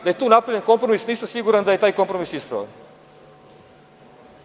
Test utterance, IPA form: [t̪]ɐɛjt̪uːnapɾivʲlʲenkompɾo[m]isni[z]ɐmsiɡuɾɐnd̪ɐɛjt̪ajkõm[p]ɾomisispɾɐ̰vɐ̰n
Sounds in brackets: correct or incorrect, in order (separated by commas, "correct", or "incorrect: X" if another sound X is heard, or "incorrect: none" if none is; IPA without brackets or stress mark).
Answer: incorrect: d̪, correct, incorrect: s, correct